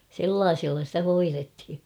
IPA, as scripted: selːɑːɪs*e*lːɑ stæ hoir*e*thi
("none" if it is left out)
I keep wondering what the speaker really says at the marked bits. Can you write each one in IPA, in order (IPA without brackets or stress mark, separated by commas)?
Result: i, e